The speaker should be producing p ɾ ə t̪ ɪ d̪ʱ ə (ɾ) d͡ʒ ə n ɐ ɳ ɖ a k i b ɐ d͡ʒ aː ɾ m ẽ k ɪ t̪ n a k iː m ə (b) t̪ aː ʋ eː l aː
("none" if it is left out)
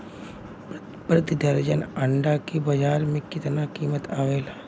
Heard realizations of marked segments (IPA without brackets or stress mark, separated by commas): ɾ, none